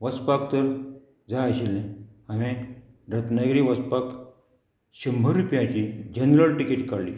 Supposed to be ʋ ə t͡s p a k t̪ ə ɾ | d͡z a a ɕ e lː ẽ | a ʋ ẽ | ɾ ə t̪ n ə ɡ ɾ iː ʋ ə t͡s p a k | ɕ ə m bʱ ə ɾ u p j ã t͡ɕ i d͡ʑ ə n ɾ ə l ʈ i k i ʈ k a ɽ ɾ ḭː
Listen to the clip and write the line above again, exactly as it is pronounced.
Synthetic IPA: ʋ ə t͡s p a k t̪ ə ɾ | d͡z a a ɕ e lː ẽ | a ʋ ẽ | ɾ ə t̪ n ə ɡ ɾ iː ʋ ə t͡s p a k | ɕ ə m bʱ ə ɾ u p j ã t͡ɕ i d͡ʑ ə n ɾ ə l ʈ i k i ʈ k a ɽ l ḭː